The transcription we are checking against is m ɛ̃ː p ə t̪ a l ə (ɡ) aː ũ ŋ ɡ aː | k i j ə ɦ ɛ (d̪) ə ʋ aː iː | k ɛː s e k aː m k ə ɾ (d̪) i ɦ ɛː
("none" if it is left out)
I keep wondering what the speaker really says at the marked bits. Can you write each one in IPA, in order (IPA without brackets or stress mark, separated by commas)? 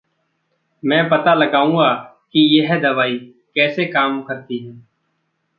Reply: ɡ, d̪, t̪